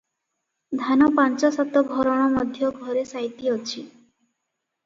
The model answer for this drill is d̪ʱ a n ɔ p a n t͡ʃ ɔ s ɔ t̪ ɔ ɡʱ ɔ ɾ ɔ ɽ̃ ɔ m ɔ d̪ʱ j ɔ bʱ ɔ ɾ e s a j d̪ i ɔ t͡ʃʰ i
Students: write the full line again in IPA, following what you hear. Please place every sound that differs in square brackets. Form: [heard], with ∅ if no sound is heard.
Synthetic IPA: d̪ʱ a n ɔ p a n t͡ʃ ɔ s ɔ t̪ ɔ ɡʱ ɔ ɾ ɔ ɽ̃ ɔ m ɔ d̪ʱ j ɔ [ɡʱ] ɔ ɾ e s a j [t̪] i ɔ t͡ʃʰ i